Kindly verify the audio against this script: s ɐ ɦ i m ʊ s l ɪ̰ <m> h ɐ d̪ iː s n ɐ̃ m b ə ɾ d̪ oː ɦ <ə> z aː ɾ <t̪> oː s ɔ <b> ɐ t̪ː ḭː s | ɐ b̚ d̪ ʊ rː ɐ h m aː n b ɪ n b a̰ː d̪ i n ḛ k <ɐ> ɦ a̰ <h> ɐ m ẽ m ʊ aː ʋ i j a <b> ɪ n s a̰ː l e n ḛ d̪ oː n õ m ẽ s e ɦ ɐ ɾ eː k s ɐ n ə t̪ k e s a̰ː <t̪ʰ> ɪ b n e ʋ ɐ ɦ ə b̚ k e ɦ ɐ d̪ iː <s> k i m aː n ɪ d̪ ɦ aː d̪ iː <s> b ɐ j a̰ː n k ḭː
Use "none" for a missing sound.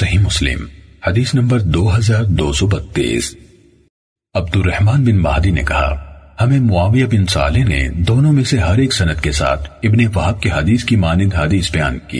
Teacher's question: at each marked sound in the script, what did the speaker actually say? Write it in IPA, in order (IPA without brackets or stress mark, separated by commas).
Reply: m, ɐ, d̪, b, ɐ, h, b, t̪ʰ, s, s